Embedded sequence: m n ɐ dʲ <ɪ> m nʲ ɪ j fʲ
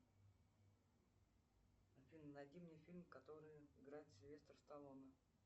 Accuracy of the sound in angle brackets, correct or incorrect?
incorrect